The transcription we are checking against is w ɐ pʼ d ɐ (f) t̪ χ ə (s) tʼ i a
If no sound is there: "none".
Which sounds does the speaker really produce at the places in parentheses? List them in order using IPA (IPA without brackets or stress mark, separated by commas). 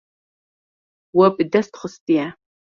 s, s